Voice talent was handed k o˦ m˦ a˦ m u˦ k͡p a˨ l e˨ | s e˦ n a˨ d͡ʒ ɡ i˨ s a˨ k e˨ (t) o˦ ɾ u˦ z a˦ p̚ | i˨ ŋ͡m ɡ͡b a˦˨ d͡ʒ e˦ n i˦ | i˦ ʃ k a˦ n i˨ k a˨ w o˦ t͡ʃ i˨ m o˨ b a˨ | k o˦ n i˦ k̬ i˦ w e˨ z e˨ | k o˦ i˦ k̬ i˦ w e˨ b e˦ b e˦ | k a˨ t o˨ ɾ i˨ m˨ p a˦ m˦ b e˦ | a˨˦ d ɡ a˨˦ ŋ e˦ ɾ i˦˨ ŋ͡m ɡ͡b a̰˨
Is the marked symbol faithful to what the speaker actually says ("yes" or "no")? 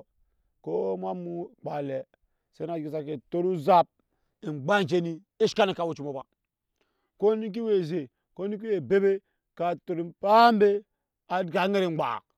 yes